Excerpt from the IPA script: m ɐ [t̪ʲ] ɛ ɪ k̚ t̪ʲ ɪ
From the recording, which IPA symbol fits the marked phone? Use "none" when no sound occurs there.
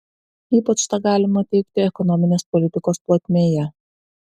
t̪ʲ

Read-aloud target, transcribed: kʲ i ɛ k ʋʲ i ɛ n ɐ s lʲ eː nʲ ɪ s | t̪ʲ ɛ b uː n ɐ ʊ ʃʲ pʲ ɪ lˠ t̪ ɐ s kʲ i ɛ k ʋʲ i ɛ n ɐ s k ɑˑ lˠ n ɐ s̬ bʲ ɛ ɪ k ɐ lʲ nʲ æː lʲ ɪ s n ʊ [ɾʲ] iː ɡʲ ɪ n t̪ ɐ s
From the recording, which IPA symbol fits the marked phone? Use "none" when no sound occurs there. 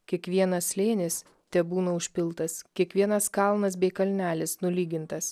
lʲ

